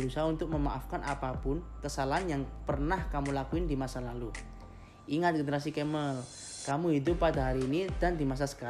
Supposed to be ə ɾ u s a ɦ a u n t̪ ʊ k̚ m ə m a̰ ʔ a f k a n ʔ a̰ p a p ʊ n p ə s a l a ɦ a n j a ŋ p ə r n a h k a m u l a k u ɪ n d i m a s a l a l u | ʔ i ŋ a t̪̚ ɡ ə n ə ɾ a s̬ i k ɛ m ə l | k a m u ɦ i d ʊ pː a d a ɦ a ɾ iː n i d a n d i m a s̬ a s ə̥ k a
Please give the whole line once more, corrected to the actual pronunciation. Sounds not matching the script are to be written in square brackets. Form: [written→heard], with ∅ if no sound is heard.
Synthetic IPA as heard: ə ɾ u s a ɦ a u n t̪ ʊ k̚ m ə m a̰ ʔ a f k a n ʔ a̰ p a p ʊ n [p→k] ə s a l a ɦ a n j a ŋ p ə r n a h k a m u l a k u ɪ n d i m a s a l a l u | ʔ i ŋ a t̪̚ ɡ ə n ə ɾ a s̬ i k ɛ m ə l | k a m u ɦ i d ʊ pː a d a ɦ a ɾ iː n i d a n d i m a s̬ a s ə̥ k a